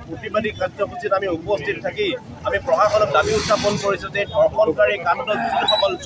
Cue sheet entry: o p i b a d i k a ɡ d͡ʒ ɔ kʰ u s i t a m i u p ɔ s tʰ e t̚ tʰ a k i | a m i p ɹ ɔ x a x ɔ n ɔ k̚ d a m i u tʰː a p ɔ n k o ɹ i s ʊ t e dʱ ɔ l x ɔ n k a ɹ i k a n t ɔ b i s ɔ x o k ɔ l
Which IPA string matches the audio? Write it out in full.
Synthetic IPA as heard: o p i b a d i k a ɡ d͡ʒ ɔ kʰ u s i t a m i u p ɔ s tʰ i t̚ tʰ a k i | a m i p ɹ ɔ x a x ɔ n ɔ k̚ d a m i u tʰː a p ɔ n k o ɹ i s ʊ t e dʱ ɔ ɹ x ɔ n k a ɹ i k a n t ɔ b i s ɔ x ɔ k ɔ l